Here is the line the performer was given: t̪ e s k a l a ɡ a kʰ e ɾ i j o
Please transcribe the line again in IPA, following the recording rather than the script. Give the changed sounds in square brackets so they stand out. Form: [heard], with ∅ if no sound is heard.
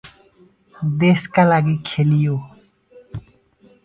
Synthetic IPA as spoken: [d̪] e s k a l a ɡ [i] kʰ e [l] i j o